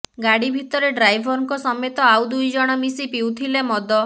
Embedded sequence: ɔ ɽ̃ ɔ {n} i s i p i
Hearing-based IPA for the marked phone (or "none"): m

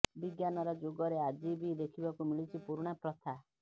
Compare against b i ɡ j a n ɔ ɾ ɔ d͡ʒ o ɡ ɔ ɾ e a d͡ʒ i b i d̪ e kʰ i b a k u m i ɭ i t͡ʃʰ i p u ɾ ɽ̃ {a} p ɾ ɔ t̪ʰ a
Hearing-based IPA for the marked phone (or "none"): a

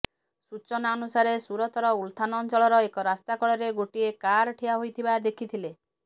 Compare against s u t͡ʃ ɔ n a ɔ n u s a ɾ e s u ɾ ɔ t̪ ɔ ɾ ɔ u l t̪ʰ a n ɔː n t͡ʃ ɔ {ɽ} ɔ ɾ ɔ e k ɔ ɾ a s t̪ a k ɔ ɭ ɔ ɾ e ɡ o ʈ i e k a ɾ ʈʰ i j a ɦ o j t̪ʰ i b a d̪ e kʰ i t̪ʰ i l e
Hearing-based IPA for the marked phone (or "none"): ɭ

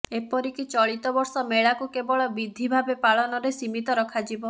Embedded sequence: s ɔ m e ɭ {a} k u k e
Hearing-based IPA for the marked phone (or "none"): a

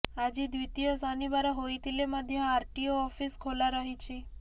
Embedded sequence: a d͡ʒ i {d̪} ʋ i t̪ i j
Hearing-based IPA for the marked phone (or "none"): d̪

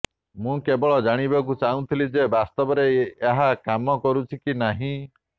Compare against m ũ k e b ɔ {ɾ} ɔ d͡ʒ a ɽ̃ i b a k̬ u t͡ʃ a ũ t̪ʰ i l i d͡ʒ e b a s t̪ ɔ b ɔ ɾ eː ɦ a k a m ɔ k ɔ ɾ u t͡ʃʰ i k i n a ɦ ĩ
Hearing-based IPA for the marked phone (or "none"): ɭ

